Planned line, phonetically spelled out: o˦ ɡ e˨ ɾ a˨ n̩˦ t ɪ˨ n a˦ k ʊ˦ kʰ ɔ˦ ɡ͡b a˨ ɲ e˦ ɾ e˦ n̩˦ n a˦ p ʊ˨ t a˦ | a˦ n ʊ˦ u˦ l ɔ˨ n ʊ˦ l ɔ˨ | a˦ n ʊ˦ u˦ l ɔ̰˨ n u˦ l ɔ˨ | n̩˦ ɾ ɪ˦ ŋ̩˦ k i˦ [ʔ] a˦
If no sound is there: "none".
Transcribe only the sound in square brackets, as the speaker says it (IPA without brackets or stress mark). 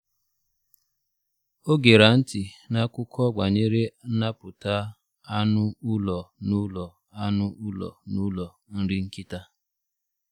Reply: t